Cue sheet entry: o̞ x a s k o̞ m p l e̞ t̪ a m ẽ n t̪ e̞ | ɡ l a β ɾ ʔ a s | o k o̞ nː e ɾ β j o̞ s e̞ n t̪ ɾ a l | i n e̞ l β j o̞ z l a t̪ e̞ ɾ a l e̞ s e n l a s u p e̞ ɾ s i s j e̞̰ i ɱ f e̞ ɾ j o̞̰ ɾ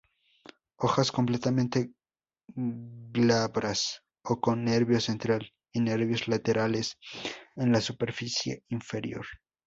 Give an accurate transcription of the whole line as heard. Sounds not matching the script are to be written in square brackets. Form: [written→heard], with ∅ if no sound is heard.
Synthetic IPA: o̞ x a s k o̞ m p l e̞ t̪ a m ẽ n t̪ e̞ | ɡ l a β ɾ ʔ a s | o k o̞ nː e ɾ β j o̞ s e̞ n t̪ ɾ a l | i n e̞ [l→ɾ] β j o̞ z l a t̪ e̞ ɾ a l e̞ s e n l a s u p e̞ ɾ [s→f] i s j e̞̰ i ɱ f e̞ ɾ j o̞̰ ɾ